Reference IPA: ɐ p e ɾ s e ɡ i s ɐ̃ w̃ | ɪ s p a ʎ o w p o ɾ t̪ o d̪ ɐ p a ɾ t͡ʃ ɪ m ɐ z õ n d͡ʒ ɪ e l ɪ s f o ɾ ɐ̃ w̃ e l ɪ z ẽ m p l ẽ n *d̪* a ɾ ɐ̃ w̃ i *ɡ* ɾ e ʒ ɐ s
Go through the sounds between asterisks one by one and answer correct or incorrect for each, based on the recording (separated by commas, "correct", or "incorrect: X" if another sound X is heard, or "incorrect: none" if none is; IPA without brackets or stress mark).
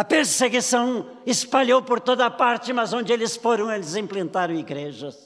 incorrect: t̪, correct